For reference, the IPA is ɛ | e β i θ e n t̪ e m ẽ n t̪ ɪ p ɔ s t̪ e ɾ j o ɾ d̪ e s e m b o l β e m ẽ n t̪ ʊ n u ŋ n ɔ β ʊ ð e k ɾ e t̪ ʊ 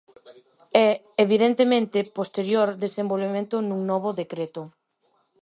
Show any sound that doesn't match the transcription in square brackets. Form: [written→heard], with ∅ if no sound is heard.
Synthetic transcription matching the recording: ɛ | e β i [θ→ð] e n t̪ e m ẽ n t̪ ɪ p [ɔ→o] s t̪ e ɾ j o ɾ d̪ e s e m b o l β e m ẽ n t̪ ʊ n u ŋ n ɔ β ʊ ð e k ɾ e t̪ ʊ